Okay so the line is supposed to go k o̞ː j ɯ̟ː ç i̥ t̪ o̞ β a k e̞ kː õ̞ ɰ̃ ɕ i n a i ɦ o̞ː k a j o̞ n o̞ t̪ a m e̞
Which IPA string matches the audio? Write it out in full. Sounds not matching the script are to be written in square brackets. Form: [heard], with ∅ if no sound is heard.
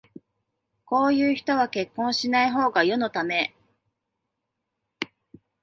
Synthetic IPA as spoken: k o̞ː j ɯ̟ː ç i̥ t̪ o̞ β a k e̞ kː õ̞ ɰ̃ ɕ i n a i ɦ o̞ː [ɡ] a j o̞ n o̞ t̪ a m e̞